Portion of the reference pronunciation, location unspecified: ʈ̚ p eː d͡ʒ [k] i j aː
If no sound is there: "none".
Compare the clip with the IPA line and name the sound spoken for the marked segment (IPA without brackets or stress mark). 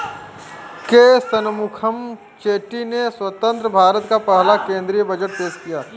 k